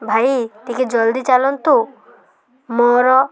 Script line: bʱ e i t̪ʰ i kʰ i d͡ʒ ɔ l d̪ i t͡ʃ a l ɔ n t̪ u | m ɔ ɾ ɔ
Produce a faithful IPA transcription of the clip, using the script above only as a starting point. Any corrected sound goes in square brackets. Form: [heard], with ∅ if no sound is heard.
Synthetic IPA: bʱ [a] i [t̪] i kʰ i d͡ʒ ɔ l d̪ i t͡ʃ a l ɔ n t̪ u | m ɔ ɾ ɔ